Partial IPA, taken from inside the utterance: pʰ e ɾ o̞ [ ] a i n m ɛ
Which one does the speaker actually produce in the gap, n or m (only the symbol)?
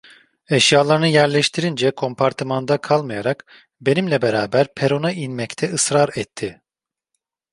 n